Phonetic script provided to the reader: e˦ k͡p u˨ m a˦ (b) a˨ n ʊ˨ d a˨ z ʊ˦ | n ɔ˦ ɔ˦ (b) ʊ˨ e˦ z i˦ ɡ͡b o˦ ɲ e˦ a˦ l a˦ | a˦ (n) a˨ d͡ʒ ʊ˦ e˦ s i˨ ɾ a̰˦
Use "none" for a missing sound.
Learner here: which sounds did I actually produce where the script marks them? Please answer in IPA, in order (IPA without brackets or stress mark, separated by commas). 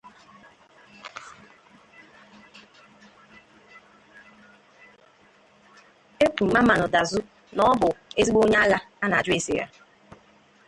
m, b, n